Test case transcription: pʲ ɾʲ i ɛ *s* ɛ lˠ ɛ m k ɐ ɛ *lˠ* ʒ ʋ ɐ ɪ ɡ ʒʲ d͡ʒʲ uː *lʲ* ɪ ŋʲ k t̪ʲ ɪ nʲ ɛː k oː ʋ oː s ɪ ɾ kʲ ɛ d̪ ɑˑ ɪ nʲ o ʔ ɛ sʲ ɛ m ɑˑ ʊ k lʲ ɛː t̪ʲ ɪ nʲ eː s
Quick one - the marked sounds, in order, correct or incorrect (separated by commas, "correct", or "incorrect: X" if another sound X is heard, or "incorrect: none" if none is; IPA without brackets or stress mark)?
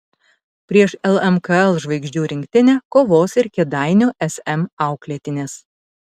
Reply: incorrect: ʃ, correct, incorrect: ɾʲ